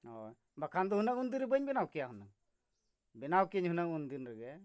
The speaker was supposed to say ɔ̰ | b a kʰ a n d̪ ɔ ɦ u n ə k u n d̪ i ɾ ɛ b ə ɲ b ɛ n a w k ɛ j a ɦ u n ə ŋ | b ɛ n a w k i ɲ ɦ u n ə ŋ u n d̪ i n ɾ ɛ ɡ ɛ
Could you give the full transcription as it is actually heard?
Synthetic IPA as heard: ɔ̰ | b a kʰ a n d̪ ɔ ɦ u n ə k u n d̪ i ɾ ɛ b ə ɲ b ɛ n a w k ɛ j a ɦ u n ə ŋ | b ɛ n a w k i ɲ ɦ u n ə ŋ u n d̪ i n ɾ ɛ ɡ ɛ